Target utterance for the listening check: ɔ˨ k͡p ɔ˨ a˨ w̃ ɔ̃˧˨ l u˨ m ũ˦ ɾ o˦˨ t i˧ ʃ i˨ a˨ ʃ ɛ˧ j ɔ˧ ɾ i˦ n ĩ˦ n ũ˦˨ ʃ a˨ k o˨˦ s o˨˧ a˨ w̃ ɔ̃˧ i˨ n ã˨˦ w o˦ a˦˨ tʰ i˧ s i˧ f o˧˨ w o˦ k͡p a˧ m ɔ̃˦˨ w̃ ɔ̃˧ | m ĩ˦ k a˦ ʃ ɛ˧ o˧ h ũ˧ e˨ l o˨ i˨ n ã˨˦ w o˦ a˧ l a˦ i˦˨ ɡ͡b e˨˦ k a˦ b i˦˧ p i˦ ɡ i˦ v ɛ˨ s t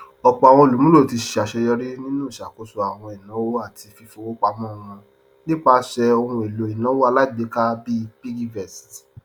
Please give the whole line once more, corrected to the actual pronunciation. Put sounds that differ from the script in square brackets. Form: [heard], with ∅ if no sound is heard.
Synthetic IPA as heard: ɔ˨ k͡p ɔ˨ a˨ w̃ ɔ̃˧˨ l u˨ m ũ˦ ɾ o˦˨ t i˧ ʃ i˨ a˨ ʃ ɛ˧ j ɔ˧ ɾ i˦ n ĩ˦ n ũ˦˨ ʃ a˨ k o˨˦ s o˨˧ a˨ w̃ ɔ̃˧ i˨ n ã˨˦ w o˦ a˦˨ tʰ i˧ [f] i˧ f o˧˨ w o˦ k͡p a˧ m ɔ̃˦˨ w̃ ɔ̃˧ | [n] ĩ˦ [k͡p] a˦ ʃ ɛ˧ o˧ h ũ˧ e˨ l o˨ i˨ n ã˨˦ w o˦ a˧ l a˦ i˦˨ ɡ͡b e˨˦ k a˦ b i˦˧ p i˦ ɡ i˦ v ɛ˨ s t